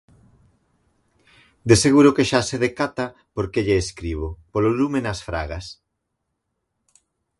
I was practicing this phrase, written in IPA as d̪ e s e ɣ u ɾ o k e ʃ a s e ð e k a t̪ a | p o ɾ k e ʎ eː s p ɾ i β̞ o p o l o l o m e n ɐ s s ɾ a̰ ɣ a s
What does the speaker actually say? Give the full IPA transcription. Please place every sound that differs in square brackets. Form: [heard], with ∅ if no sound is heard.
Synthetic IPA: d̪ e s e ɣ u ɾ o k e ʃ a s e ð e k a t̪ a | p o ɾ k e ʎ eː s [k] ɾ i β̞ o p o l o l [u] m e n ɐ s [f] ɾ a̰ ɣ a s